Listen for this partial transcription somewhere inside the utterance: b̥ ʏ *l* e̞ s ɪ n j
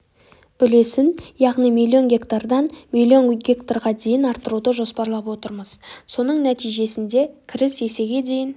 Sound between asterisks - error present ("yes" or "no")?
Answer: no